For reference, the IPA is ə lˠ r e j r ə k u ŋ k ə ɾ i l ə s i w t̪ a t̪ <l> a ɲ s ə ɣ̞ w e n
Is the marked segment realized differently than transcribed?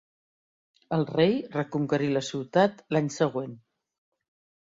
no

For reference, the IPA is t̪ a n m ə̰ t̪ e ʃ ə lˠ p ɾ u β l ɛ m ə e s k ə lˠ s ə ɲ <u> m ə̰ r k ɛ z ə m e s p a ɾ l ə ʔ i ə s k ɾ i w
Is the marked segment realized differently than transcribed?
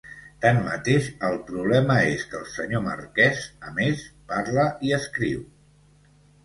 yes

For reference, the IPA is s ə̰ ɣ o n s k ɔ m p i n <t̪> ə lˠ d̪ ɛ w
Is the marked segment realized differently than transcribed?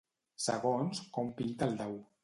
no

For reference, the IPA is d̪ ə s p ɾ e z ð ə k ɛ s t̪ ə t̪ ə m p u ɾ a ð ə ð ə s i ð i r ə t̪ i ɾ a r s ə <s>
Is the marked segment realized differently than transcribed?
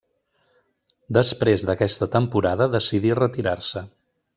yes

